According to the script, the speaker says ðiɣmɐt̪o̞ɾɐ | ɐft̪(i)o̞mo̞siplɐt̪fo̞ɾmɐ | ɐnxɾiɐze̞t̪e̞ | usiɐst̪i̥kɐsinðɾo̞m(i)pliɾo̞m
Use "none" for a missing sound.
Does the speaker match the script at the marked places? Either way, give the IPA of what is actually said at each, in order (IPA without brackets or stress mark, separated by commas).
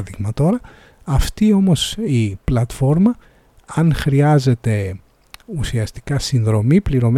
i, i